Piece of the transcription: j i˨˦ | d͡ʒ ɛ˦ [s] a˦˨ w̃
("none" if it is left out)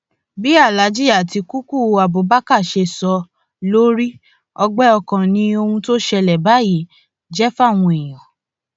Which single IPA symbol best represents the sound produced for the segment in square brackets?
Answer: f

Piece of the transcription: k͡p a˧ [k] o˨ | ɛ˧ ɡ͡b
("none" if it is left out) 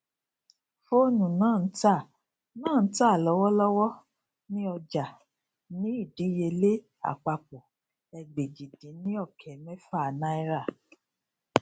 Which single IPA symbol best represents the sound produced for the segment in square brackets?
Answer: k͡p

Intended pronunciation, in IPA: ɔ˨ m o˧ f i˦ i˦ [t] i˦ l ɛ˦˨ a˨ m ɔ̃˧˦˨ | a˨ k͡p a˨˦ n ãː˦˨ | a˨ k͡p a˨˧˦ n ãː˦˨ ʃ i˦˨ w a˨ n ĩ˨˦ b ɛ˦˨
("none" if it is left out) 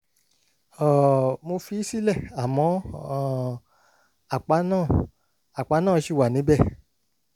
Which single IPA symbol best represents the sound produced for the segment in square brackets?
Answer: s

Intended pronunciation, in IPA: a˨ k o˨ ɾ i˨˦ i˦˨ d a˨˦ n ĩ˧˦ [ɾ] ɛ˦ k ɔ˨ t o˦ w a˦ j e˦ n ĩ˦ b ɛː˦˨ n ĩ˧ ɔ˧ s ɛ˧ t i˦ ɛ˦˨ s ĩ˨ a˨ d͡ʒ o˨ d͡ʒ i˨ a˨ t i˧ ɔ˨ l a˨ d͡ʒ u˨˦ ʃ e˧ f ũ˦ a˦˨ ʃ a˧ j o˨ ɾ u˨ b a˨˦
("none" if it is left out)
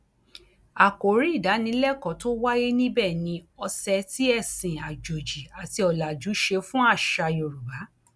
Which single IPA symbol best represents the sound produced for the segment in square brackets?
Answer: l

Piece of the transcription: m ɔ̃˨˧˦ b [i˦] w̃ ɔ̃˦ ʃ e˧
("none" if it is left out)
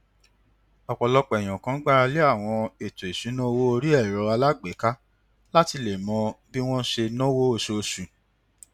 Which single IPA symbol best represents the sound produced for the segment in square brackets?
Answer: i˦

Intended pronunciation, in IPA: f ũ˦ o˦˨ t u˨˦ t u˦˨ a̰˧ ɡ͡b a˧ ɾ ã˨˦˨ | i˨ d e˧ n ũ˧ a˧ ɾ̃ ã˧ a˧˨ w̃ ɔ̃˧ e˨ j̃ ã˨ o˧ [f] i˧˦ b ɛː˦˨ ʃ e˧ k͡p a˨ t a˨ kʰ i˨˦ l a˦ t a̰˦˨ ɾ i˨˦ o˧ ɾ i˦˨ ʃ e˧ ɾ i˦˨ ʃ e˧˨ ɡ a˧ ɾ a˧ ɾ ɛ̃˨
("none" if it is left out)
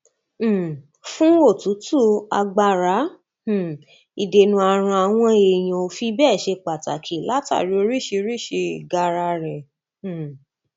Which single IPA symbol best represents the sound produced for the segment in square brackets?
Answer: f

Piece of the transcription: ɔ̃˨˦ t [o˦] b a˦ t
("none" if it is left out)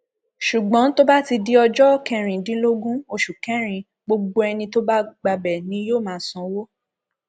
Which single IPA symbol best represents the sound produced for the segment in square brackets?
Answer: o˦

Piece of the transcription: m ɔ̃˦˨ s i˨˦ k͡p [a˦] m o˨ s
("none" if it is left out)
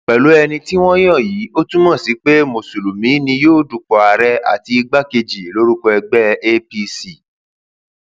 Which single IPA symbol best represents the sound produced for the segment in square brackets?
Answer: e˦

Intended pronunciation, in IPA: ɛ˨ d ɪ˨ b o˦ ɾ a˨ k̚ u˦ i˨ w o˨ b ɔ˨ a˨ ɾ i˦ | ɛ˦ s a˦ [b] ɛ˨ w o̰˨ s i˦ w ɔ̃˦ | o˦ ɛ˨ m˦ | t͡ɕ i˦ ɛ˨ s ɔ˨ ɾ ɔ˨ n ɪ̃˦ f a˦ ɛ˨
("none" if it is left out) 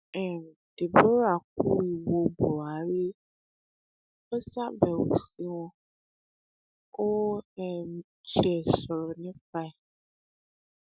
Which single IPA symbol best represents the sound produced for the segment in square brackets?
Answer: b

